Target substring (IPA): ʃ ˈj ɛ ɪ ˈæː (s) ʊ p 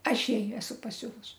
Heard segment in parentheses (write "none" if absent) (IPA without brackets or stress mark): s